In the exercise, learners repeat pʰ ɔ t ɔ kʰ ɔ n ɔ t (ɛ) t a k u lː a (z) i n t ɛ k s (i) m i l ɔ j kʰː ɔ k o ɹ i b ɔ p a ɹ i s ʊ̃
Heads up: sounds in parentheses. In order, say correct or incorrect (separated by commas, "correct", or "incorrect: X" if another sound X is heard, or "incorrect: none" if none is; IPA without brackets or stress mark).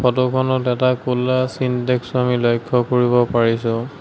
correct, incorrect: s, incorrect: a